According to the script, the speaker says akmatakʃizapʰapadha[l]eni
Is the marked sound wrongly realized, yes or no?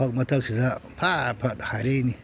yes